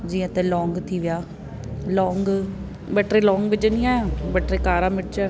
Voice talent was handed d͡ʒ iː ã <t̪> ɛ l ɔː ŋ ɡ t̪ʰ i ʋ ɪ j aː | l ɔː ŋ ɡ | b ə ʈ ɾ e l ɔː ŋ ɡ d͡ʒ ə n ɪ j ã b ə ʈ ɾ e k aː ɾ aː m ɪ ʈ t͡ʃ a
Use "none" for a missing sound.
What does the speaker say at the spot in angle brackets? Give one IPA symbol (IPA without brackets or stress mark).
t̪